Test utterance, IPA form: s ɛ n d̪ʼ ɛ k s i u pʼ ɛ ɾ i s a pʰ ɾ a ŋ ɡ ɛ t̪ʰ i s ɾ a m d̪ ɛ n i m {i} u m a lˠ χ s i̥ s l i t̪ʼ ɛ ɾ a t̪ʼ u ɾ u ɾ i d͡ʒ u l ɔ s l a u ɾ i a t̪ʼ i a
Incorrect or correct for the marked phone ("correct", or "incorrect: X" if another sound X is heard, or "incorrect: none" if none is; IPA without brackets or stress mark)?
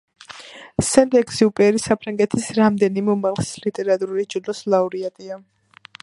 incorrect: ɛ